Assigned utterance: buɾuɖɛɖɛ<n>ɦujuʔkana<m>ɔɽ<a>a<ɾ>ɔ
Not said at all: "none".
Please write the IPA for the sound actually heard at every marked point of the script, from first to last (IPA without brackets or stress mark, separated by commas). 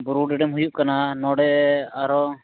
m, n, ɛ, ɾ